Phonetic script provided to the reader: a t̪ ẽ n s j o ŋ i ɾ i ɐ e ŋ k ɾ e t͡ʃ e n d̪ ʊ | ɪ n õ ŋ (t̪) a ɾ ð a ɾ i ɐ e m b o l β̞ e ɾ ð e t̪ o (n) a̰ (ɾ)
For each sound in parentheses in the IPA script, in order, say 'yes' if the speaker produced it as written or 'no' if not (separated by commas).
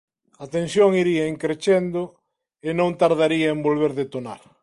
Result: yes, yes, yes